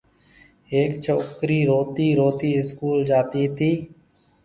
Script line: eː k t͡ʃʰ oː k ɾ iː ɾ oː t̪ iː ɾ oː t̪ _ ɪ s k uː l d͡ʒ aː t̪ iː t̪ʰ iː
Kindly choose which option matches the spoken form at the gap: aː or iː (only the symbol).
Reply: iː